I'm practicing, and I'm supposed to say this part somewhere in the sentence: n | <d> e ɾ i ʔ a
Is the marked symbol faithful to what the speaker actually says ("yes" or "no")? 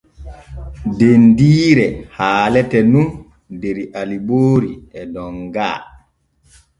yes